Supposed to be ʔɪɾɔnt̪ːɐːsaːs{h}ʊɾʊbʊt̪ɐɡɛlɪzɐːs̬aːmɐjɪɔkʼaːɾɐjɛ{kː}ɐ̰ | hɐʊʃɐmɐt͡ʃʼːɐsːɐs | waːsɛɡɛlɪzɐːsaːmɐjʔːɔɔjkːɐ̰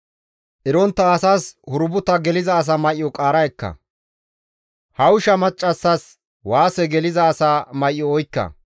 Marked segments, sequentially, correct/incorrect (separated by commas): correct, correct